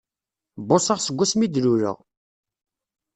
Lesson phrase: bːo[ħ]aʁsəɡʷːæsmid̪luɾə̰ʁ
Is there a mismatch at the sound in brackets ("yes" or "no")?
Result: yes